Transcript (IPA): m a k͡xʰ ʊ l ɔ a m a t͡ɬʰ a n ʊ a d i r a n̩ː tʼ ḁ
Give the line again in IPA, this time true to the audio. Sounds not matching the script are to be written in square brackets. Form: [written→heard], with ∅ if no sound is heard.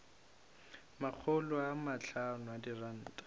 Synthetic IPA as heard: m a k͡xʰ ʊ l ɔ a m a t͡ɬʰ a n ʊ a d i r a n̩ː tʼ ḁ